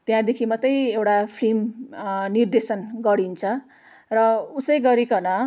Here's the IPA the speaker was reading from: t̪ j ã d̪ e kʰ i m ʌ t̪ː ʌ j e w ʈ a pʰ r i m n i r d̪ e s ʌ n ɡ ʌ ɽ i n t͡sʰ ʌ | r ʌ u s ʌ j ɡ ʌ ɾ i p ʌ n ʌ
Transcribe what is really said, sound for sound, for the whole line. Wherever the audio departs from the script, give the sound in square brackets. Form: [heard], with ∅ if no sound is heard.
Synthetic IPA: t̪ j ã d̪ e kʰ i m ʌ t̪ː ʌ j e w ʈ a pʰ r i m n i r d̪ e s ʌ n ɡ ʌ ɽ i n t͡sʰ ʌ | r ʌ u s ʌ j ɡ ʌ ɾ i [k] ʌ n ʌ